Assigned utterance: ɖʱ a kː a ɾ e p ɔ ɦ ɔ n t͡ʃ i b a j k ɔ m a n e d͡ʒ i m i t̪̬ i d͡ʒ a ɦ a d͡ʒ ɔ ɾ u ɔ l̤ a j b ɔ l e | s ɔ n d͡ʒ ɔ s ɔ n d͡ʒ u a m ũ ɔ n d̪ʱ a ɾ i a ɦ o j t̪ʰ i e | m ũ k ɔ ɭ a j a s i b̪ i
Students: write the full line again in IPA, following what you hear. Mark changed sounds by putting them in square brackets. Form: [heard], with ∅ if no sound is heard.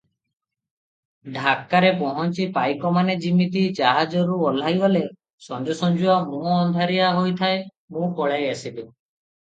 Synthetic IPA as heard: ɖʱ a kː a ɾ e p ɔ ɦ ɔ n t͡ʃ i [p] a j k ɔ m a n e d͡ʒ i m i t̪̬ i d͡ʒ a ɦ a d͡ʒ ɔ ɾ u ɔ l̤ a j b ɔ l e | s ɔ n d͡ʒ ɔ s ɔ n d͡ʒ u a m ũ ɔ n d̪ʱ a ɾ i a ɦ o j t̪ʰ [a] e | m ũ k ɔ ɭ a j a s i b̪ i